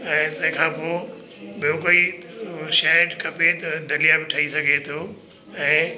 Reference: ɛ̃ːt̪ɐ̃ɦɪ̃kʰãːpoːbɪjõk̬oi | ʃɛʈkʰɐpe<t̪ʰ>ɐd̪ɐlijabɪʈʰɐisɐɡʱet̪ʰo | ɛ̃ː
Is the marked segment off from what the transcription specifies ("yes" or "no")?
yes